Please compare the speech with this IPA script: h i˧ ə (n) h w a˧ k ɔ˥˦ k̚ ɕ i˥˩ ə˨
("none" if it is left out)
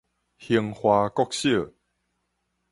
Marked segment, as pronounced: ŋ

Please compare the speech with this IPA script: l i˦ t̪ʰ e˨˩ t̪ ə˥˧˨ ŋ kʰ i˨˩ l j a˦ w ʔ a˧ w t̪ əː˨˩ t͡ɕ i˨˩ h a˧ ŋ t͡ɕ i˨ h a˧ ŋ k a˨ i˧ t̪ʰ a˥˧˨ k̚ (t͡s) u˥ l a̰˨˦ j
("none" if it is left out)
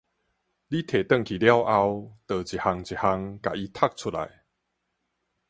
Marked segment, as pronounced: t͡sʰ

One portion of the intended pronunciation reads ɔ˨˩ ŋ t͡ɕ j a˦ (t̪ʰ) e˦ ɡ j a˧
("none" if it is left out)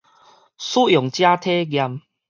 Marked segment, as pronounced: t̪ʰ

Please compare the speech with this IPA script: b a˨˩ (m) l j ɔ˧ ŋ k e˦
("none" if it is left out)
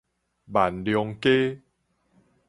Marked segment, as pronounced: n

